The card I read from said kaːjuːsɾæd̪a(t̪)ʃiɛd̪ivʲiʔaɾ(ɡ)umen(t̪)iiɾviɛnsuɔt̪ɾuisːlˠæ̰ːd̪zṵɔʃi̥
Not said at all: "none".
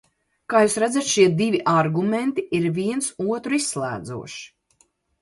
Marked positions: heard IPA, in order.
t̪, ɡ, t̪

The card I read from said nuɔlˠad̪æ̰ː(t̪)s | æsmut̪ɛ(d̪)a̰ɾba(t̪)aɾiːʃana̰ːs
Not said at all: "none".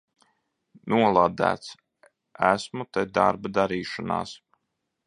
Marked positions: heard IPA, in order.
t̪, d̪, d̪

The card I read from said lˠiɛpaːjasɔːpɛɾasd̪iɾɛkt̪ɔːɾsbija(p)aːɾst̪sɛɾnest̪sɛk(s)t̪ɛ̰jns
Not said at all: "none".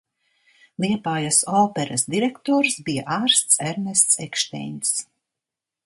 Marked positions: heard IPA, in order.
ʔ, ʃ

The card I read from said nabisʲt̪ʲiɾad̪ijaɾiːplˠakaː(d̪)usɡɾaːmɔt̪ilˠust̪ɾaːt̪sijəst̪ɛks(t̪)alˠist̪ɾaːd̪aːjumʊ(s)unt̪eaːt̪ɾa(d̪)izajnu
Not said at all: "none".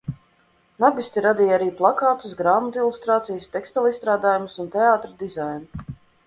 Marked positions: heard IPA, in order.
t̪, t̪, s, d̪

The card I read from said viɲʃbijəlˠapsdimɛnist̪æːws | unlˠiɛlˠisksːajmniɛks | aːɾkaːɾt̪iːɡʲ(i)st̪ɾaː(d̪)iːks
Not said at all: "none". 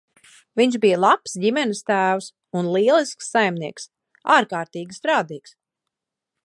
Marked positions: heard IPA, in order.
i, d̪

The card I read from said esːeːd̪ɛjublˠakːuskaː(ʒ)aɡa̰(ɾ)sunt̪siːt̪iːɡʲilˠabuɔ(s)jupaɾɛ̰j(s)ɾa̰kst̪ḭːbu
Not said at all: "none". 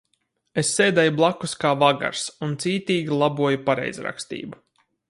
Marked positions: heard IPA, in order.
v, ɾ, none, z

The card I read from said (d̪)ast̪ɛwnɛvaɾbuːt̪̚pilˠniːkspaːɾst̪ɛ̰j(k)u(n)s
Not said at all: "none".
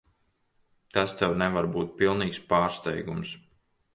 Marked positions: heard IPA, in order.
t̪, ɡ, m

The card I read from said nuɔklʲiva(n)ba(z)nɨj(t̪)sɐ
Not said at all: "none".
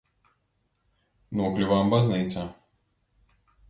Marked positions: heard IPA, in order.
m, z, t̪

